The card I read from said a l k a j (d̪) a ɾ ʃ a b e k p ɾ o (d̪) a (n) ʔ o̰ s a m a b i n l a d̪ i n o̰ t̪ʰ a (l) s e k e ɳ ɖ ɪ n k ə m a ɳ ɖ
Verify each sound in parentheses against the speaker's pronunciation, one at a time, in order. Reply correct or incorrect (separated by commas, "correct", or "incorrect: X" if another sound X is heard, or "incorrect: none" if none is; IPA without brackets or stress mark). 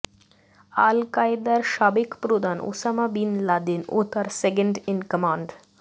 correct, correct, correct, incorrect: ɾ